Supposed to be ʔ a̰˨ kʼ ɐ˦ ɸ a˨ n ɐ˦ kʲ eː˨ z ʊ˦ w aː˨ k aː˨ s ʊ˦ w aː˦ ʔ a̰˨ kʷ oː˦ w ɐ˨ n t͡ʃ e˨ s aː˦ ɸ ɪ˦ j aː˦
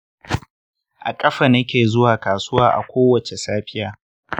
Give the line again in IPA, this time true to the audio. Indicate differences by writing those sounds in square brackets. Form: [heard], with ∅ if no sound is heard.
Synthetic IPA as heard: ʔ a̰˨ kʼ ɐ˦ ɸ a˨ n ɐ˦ kʲ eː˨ z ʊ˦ w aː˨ k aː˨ s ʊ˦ w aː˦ ʔ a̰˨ kʷ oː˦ w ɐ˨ [∅] t͡ʃ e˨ s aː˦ ɸ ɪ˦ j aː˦

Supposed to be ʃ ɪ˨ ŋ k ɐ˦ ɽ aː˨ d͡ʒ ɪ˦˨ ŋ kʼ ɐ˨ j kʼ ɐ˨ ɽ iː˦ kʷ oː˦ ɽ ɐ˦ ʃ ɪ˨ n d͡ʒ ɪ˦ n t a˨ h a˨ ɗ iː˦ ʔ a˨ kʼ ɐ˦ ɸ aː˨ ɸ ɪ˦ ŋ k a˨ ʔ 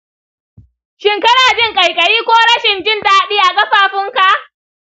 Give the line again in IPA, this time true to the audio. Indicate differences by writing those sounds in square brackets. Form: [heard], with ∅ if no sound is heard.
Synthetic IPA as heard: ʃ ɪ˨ ŋ k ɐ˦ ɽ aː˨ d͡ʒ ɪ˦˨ ŋ kʼ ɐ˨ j kʼ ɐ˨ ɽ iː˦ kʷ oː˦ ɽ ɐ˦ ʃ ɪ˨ n d͡ʒ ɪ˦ n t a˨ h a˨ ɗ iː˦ ʔ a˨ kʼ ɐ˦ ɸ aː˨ ɸ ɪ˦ ŋ k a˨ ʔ

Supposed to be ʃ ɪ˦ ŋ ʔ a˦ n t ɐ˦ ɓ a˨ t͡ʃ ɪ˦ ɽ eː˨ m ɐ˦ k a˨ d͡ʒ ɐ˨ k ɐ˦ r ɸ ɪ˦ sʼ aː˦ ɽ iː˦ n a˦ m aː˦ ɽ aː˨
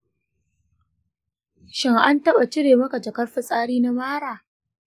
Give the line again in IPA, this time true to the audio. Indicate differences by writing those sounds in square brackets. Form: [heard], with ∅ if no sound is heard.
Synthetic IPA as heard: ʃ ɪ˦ ŋ ʔ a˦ n t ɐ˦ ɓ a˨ t͡ʃ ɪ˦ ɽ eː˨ m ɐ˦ k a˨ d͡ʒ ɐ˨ k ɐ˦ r ɸ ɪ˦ sʼ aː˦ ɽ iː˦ n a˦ m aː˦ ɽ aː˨

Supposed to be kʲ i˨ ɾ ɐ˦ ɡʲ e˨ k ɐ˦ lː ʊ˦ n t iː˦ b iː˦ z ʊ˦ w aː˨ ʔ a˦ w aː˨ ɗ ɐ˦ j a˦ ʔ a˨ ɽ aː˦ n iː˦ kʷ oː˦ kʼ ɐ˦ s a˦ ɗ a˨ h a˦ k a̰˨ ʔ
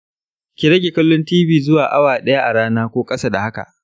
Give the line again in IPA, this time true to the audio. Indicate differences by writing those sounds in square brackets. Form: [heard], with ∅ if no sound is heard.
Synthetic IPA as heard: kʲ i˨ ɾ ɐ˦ ɡʲ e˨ k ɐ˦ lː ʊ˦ n t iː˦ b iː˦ z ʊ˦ w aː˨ ʔ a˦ w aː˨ ɗ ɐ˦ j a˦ ʔ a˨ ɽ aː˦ n [aː˦] kʷ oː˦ kʼ ɐ˦ s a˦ [d] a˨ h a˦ k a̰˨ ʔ

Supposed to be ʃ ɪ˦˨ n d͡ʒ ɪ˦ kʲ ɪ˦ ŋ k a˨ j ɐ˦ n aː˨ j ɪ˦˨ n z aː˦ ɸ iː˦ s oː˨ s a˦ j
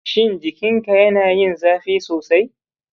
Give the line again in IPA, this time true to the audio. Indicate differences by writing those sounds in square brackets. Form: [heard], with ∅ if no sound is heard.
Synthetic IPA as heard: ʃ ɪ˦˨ n d͡ʒ [ɪ˨] kʲ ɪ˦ ŋ k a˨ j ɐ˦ n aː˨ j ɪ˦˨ n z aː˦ ɸ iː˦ s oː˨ s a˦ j

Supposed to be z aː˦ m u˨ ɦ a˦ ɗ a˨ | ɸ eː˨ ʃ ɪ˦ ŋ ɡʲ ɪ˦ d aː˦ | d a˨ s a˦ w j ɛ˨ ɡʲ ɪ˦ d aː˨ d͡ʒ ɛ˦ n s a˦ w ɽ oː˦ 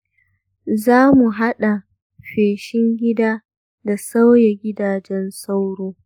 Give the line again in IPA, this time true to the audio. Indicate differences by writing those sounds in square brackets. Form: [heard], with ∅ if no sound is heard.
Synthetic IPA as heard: z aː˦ m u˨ ɦ a˦ ɗ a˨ | ɸ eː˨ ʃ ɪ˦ ŋ ɡʲ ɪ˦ d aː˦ | d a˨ s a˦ w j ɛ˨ ɡʲ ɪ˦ d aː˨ d͡ʒ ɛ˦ n s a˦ w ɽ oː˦

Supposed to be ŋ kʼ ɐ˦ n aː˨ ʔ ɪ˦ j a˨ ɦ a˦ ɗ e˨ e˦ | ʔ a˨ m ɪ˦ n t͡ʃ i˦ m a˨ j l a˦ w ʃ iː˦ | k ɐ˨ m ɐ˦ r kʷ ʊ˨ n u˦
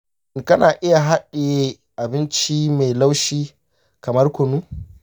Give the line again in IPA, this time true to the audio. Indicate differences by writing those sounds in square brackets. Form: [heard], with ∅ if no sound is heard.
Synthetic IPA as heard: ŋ [k] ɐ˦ n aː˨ ʔ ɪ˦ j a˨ ɦ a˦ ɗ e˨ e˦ | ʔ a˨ [b] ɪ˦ n t͡ʃ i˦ m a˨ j l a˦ w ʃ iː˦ | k ɐ˨ m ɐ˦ r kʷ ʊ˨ n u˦

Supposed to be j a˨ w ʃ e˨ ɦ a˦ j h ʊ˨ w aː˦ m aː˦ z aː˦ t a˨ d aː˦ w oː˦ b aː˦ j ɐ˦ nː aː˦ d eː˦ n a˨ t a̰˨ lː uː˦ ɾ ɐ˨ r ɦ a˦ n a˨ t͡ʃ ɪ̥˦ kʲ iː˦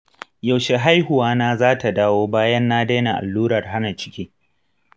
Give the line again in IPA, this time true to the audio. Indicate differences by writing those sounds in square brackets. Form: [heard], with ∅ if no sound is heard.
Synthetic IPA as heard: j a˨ w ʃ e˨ ɦ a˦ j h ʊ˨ w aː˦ [n] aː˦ z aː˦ t a˨ d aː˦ w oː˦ b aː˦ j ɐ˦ nː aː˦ d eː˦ n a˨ [ʔ] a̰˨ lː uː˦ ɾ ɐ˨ r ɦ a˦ n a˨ t͡ʃ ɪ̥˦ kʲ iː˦

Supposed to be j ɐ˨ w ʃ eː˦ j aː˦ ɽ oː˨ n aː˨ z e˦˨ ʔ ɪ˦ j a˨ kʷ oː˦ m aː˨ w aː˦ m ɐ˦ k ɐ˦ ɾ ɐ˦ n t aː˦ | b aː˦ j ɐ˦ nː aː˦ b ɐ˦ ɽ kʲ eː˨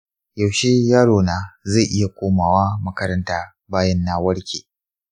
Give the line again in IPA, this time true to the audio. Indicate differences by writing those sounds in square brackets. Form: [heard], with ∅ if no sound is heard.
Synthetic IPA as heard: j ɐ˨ w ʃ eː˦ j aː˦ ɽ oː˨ n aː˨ z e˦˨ ʔ ɪ˦ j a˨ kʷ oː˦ m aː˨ w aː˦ m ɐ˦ k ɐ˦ ɾ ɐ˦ n t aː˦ | b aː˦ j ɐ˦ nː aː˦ [w] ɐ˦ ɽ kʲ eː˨

